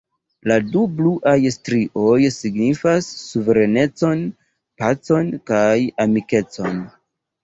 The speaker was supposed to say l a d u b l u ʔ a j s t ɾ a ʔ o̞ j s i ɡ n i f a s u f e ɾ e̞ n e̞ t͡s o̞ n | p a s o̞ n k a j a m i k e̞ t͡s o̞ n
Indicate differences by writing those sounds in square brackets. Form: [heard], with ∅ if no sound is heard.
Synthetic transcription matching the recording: l a d u b l u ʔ a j s t ɾ [i] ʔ o̞ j s i ɡ n i f a [sː] u [v] e ɾ e̞ n e̞ t͡s o̞ n | p a [t͡s] o̞ n k a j a m i k e̞ t͡s o̞ n